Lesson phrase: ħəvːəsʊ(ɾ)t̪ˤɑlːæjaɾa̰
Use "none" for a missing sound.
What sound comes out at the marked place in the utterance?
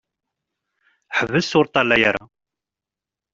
ɾ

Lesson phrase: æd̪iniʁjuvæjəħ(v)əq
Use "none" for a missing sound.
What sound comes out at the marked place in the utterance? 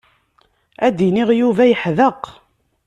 ð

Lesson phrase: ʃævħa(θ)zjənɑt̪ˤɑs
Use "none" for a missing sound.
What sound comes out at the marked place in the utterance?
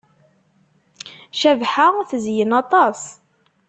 θ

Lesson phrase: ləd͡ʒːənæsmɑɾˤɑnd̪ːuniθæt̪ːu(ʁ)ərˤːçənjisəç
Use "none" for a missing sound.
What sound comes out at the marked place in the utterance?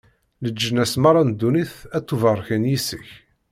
v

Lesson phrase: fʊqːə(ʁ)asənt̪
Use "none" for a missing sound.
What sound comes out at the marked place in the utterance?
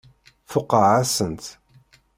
ʕ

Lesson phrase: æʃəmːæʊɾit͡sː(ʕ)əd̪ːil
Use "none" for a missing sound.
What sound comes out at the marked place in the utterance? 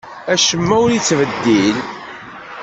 v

